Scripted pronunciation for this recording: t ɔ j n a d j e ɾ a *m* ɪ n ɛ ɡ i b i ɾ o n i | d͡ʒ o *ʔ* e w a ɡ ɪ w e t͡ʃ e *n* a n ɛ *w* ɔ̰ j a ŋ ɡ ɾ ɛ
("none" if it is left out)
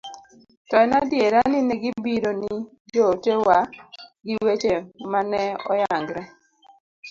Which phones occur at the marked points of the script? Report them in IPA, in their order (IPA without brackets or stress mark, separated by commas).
n, t, m, none